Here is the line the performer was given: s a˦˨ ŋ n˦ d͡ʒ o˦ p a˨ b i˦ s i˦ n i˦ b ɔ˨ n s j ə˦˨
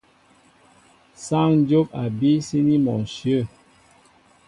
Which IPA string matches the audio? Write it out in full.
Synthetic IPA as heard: s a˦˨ ŋ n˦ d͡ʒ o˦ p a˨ b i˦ s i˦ n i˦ m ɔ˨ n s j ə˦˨